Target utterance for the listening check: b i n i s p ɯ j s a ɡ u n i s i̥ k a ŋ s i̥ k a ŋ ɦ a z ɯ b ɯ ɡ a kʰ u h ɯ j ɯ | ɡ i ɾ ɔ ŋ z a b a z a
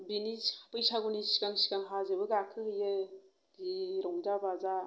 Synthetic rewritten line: b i n i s p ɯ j s a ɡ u n i s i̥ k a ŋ s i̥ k a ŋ ɦ a z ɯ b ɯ ɡ a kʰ ɯ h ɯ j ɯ | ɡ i ɾ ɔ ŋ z a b a z a